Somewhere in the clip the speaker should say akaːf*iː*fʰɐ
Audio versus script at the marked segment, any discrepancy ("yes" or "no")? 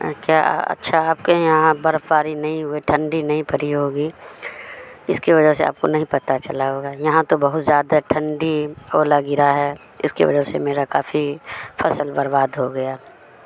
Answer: yes